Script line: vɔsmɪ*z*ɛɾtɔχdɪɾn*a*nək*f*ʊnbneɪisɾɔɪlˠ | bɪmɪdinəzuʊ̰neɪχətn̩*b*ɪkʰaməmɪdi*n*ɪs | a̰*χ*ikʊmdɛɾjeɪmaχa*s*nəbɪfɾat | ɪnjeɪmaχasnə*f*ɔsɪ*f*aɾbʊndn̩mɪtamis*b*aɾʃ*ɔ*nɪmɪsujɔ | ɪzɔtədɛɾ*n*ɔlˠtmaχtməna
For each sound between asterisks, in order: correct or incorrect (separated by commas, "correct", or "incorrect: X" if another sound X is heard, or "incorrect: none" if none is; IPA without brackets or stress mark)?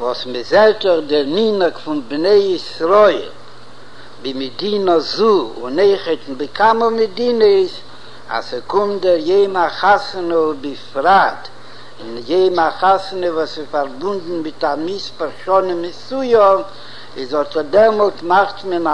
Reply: correct, incorrect: i, correct, correct, correct, incorrect: s, correct, incorrect: v, correct, incorrect: p, correct, incorrect: m